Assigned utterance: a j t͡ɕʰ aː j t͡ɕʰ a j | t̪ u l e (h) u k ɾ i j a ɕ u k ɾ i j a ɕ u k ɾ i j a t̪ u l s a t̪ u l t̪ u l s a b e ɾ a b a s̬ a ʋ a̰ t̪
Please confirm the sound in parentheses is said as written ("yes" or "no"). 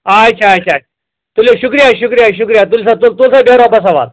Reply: no